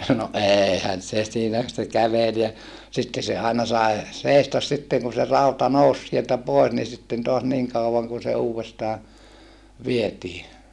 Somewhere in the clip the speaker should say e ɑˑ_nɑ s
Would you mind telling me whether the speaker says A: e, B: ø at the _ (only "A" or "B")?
A